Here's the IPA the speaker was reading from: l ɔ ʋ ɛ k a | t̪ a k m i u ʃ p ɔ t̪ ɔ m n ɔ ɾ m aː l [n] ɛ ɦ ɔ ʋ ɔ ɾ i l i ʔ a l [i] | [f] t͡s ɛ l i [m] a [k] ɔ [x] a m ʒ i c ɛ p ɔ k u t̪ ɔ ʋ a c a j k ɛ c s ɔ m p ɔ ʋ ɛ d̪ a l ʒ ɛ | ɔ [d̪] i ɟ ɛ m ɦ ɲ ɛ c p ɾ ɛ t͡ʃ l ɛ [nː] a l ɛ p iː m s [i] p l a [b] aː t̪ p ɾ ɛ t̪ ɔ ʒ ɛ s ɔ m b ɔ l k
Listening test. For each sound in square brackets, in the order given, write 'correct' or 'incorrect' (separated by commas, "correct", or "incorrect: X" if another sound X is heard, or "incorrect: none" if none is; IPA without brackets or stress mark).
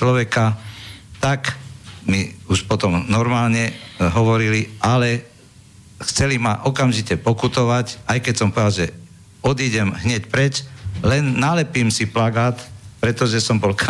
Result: incorrect: ɲ, incorrect: ɛ, incorrect: x, correct, incorrect: ʔ, incorrect: k, correct, correct, correct, incorrect: ɡ